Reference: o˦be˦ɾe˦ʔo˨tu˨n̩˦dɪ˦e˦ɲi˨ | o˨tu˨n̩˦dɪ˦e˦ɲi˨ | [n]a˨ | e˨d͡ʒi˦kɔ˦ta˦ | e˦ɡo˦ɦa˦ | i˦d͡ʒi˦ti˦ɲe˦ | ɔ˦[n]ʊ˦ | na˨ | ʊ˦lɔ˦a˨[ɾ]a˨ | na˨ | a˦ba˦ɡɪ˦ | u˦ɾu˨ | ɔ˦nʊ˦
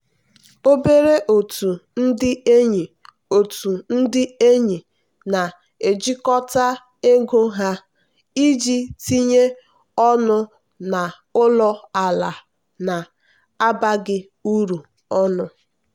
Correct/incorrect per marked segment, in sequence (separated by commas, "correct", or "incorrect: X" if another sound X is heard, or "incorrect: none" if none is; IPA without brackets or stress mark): correct, correct, incorrect: l